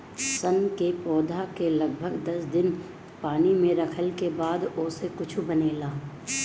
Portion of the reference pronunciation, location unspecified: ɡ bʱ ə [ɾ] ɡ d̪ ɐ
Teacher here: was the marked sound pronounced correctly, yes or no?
no